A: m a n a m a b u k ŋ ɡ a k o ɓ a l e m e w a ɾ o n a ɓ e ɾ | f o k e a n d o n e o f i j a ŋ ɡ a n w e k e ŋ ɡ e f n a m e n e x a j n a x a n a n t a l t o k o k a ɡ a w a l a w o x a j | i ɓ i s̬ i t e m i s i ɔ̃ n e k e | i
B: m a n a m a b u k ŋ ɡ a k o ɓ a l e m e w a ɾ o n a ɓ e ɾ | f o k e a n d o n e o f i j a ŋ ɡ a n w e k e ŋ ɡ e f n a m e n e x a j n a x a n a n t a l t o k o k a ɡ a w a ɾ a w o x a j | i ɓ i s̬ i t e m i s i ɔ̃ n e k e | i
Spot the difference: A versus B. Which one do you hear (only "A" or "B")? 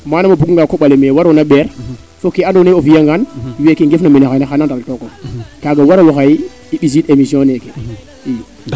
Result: B